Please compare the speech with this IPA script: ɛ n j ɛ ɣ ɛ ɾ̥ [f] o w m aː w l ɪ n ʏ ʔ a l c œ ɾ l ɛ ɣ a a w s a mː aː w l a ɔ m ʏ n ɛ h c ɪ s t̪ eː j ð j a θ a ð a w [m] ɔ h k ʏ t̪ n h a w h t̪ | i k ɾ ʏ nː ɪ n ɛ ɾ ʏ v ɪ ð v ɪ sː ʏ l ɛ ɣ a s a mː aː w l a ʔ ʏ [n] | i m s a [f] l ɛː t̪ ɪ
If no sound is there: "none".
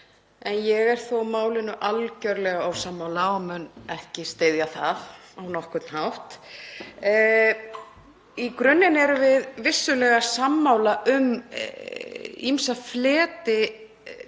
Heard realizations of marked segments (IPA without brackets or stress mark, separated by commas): θ, n, m, f